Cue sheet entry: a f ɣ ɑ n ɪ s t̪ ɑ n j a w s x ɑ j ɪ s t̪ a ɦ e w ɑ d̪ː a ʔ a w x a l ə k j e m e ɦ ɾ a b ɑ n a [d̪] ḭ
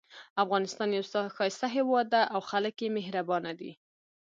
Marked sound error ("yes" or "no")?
no